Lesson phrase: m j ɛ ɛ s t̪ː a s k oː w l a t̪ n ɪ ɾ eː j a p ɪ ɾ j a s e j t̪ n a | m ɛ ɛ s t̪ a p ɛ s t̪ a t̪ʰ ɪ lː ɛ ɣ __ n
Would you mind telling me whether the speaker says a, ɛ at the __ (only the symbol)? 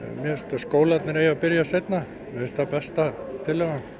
a